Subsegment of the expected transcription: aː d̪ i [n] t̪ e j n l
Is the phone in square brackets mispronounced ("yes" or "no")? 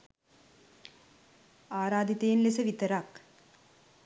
yes